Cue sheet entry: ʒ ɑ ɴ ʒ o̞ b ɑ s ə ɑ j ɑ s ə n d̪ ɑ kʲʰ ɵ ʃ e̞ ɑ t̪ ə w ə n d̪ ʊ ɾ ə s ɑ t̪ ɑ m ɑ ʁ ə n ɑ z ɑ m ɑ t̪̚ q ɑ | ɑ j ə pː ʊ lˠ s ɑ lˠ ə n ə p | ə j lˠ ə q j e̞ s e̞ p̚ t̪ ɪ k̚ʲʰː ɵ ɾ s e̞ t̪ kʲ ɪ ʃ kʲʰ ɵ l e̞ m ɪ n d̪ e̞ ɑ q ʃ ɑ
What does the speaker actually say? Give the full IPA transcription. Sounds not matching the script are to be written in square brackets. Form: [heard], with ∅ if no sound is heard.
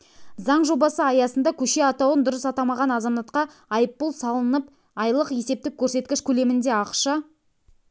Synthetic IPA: [z] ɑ ɴ ʒ o̞ b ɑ s ə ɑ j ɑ s ə n d̪ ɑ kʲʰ ɵ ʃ e̞ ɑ t̪ [ɑ] w ə n d̪ ʊ ɾ ə s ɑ t̪ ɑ m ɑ ʁ [ɑ] n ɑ z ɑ m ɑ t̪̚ q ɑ | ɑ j ə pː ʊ lˠ s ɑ lˠ ə n ə p | [ɑ] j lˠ ə q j e̞ s e̞ p̚ t̪ ɪ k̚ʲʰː ɵ ɾ s e̞ t̪ kʲ ɪ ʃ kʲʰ ɵ l e̞ m ɪ n d̪ e̞ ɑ q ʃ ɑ